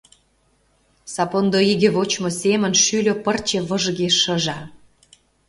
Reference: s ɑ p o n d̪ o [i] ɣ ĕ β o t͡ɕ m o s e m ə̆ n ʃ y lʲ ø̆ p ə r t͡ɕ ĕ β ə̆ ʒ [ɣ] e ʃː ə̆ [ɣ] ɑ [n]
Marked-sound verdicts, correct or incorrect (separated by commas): correct, correct, incorrect, incorrect